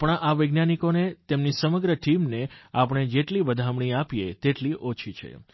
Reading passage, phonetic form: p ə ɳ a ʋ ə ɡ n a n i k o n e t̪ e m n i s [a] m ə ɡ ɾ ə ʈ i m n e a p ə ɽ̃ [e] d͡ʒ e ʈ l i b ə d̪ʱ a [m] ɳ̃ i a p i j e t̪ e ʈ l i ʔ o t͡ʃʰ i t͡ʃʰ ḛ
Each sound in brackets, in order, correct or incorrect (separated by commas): incorrect, correct, correct